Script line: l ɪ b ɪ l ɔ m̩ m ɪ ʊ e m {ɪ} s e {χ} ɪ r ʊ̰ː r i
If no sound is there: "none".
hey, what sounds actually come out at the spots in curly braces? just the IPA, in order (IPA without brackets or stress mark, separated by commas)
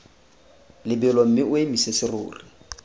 i, s